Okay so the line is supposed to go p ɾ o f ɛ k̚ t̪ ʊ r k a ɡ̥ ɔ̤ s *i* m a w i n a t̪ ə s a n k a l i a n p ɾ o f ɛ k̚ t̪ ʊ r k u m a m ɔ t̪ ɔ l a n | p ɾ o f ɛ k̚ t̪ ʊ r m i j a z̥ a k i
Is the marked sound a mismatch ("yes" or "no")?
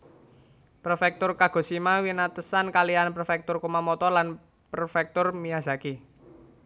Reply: no